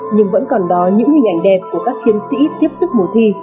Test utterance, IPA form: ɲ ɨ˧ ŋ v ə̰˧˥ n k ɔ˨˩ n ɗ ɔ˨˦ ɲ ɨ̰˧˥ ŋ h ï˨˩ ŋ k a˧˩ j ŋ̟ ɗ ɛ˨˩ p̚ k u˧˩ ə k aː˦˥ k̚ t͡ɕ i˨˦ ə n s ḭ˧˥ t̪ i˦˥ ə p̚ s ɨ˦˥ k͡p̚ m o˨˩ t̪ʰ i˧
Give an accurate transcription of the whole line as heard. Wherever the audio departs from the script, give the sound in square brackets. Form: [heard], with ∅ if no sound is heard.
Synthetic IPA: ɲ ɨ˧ ŋ v ə̰˧˥ n k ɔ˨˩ n ɗ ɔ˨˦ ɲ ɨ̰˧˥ ŋ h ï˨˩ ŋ [ʔ] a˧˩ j ŋ̟ ɗ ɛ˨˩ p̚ k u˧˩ ə k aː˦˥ k̚ t͡ɕ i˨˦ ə n s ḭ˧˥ t̪ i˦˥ ə p̚ s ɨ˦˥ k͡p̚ m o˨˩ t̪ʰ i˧